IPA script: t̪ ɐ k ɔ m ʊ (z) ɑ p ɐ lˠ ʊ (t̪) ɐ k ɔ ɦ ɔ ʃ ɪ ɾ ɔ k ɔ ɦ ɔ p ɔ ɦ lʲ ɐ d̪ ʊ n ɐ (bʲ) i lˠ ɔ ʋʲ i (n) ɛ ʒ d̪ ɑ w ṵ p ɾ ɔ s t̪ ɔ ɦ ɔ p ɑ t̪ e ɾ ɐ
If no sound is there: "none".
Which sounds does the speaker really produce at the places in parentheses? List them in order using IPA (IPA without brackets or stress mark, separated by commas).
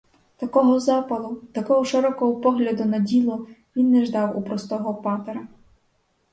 z, t̪, dʲ, nː